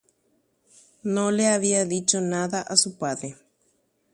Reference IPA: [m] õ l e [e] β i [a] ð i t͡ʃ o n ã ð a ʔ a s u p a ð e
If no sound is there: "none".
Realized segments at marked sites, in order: n, a, a

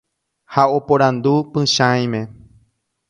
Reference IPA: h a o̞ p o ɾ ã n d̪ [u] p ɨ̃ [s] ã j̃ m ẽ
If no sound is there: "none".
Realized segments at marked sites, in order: u, ʃ

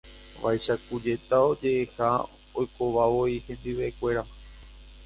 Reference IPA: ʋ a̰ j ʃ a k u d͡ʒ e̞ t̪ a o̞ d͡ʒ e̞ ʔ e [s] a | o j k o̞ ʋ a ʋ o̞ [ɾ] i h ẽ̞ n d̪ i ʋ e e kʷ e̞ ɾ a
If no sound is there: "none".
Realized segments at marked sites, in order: h, none

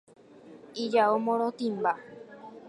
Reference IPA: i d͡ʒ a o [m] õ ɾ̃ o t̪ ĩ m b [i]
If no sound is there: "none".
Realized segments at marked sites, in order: m, a

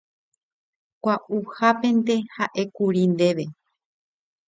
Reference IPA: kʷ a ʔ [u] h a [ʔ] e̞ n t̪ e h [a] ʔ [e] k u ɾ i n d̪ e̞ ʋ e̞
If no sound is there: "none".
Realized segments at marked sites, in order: u, p, a, e

